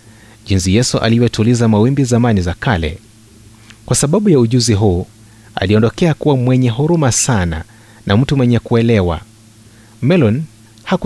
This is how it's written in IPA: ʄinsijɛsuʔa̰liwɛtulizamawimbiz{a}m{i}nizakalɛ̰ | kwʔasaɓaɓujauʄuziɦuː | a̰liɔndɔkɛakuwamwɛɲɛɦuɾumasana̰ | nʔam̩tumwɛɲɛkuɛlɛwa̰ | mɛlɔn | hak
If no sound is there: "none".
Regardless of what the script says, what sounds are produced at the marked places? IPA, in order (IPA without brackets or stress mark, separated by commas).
a, a